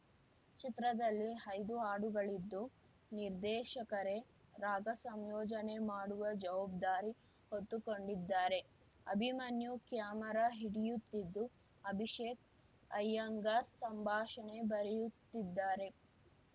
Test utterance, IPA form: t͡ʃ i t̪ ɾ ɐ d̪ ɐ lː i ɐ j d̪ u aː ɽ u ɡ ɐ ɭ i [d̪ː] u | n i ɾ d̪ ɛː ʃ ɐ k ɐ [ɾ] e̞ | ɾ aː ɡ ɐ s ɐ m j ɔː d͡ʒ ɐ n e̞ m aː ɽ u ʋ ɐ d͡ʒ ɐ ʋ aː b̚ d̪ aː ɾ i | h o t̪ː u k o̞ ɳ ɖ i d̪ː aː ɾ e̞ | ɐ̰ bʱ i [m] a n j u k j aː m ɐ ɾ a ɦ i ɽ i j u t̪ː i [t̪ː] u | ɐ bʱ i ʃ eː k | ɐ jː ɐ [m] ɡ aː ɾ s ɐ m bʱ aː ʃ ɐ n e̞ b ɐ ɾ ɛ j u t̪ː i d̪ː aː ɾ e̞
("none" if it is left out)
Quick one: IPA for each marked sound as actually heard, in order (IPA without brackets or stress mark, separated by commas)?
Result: d̪ː, ɾ, m, d̪ː, ŋ